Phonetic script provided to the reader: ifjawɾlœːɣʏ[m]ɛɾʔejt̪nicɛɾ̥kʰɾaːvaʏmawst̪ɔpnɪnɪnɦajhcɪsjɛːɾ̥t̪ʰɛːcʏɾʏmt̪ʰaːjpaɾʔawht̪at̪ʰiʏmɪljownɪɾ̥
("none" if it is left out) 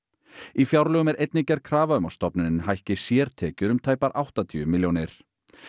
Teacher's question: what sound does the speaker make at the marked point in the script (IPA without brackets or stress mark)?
m